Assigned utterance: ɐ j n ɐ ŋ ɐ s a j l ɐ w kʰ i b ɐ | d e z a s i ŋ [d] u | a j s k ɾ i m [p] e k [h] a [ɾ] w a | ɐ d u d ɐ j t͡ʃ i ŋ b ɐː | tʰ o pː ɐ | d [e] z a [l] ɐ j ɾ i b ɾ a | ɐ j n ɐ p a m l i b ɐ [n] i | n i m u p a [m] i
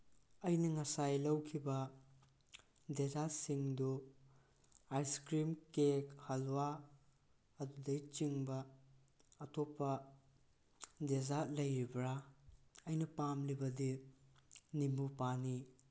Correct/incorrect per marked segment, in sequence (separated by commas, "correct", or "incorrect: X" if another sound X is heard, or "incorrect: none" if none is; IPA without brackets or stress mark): correct, incorrect: k, correct, incorrect: l, correct, correct, incorrect: d, incorrect: n